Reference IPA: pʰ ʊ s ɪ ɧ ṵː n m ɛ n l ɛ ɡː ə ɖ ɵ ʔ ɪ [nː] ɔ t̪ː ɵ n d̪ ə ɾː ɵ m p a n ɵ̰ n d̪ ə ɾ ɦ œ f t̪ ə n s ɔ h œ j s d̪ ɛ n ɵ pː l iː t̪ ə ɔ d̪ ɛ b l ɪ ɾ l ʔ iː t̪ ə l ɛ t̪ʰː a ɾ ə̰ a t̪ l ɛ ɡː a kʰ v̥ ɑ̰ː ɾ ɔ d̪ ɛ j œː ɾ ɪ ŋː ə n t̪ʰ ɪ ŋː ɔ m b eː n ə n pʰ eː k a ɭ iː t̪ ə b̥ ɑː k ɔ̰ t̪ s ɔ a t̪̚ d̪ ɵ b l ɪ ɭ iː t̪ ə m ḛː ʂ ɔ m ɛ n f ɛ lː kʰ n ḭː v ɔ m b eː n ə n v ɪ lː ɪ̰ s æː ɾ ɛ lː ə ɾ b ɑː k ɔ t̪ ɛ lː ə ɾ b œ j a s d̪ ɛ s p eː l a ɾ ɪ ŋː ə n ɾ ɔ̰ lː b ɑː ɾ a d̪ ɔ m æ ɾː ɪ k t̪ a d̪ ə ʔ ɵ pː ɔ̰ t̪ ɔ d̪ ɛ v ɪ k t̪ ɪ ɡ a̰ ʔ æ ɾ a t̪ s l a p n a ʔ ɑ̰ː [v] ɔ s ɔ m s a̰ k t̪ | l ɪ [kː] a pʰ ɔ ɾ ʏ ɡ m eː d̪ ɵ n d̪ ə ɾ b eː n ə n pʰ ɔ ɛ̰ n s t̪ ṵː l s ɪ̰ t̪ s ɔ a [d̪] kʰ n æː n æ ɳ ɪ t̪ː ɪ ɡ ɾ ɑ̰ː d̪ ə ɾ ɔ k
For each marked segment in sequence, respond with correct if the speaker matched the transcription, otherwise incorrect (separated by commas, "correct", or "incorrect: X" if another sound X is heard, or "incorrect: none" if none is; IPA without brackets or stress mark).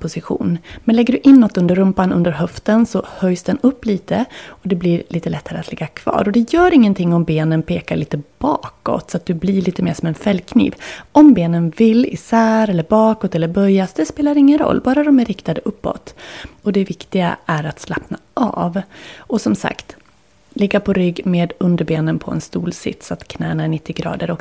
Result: correct, correct, incorrect: ɡː, incorrect: t̪